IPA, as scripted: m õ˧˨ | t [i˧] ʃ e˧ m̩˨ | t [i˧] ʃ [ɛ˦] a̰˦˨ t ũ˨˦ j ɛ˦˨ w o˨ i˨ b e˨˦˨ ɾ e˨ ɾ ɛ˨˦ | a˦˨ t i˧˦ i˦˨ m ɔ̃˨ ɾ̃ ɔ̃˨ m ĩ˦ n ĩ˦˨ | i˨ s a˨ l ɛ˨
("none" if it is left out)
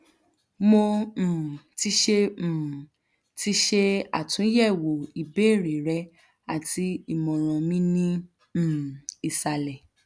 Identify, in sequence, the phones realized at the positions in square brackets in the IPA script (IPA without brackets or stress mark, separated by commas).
i˧, i˧, e˦